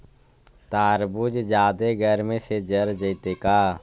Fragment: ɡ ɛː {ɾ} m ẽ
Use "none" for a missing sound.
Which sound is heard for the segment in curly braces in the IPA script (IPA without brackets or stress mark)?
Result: ɾ